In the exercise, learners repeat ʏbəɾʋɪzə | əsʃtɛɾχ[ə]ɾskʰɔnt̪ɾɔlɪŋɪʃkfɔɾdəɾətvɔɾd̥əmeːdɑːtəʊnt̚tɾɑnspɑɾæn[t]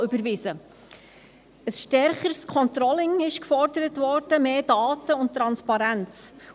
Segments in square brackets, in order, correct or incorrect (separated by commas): correct, incorrect